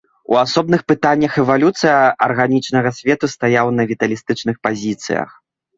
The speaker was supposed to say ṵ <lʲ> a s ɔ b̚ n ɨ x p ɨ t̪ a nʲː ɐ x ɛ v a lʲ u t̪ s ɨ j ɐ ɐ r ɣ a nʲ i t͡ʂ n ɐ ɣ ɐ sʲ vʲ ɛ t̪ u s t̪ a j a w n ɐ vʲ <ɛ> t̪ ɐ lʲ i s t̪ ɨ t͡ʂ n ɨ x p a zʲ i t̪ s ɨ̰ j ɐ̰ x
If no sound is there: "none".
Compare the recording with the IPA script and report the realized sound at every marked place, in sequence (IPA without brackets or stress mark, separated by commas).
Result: none, i